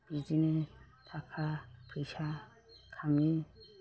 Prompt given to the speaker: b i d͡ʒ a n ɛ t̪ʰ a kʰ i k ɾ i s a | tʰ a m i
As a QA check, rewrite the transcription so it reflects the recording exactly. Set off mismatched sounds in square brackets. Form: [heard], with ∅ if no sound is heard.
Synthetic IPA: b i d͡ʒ [i] n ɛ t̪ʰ a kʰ [a] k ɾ i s a | [kʰ] a m i